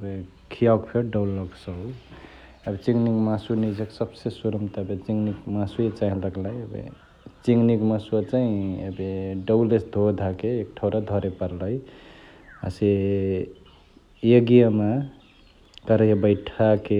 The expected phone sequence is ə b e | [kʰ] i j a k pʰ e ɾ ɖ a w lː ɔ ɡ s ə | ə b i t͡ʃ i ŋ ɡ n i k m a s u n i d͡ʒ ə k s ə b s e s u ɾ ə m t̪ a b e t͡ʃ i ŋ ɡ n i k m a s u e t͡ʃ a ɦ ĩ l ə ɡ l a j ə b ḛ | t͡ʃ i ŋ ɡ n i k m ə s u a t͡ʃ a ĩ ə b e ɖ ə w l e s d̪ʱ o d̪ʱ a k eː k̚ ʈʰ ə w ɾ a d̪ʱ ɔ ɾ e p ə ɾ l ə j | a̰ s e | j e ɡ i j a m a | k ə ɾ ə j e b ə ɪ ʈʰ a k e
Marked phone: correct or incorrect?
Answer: correct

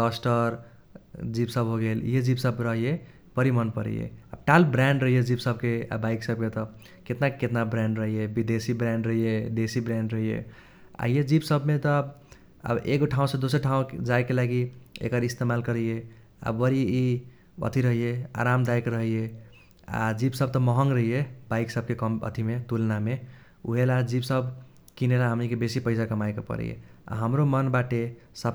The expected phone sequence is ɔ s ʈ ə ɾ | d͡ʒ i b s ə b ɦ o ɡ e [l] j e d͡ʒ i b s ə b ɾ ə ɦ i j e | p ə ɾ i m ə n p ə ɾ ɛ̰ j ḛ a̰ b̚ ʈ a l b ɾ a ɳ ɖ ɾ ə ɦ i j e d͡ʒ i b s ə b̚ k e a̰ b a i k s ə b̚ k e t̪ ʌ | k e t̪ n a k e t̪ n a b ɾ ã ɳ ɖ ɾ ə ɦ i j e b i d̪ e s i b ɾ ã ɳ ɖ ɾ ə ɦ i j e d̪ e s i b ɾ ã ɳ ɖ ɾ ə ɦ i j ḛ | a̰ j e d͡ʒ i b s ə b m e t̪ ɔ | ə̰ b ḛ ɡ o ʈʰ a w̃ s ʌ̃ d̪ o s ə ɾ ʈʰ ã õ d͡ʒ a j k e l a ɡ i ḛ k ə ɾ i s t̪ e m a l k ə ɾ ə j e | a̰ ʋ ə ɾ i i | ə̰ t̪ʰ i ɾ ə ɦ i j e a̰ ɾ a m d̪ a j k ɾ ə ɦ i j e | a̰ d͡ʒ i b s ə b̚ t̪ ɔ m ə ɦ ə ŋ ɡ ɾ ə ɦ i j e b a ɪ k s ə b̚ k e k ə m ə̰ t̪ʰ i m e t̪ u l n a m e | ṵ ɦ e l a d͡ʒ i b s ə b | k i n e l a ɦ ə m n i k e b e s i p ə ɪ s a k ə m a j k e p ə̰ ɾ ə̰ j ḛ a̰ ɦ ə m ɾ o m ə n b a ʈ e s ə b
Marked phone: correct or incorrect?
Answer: correct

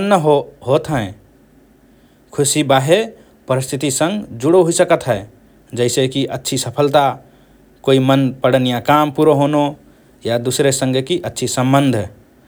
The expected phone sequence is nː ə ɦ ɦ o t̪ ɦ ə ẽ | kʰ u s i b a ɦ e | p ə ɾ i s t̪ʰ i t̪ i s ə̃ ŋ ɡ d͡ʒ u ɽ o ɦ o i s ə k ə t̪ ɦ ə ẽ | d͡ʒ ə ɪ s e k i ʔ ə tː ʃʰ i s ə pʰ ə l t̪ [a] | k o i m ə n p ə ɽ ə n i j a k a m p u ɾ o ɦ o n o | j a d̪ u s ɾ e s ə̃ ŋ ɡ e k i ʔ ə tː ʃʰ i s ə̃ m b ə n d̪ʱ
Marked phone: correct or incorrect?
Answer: correct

